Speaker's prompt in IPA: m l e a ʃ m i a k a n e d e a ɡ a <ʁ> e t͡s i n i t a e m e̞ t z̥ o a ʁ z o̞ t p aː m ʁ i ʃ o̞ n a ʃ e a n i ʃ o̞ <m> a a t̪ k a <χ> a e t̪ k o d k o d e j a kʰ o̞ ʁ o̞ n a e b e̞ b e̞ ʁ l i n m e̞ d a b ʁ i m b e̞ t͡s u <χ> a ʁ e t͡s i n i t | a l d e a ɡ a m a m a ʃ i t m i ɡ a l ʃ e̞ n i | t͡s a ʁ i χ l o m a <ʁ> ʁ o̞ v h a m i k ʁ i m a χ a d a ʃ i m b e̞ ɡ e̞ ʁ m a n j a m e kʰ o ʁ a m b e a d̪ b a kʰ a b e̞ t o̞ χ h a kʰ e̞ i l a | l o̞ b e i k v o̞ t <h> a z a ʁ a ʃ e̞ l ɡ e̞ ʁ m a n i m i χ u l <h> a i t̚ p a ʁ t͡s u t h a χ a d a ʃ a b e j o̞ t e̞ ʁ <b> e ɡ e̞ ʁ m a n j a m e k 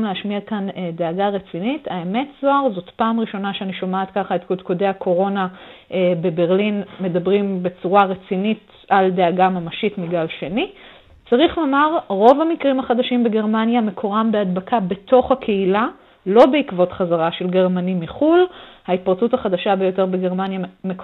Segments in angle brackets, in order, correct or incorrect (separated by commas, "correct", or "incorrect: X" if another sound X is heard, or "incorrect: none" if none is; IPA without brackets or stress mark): correct, correct, correct, incorrect: ʁ, correct, incorrect: χ, correct, correct